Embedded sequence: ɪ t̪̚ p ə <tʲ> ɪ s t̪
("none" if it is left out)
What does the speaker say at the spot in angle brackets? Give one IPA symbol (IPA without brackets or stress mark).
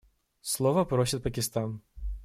kʲ